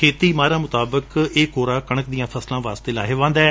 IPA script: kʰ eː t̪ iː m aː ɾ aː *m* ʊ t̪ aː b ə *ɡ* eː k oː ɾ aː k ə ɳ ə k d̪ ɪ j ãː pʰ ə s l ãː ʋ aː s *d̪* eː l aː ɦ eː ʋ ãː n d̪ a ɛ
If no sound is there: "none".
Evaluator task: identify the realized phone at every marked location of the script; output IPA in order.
m, k, t̪

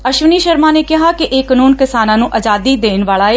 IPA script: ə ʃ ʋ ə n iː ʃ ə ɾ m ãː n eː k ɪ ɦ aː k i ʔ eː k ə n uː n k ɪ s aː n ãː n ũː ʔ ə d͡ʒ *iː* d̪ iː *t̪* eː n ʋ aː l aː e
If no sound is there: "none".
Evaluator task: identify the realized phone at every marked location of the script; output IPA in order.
aː, d̪

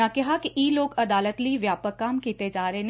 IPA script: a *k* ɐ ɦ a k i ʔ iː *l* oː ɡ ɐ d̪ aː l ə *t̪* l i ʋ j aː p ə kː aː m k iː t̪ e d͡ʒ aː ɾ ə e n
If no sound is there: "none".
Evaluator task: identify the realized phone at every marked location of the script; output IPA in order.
k, l, t̪

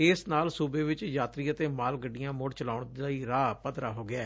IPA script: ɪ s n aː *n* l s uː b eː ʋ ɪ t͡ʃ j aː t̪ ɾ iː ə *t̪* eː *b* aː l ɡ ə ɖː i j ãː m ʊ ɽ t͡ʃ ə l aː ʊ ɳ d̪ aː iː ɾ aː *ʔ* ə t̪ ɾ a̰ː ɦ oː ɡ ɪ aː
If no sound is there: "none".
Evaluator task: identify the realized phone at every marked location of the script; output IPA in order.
none, t̪, m, p

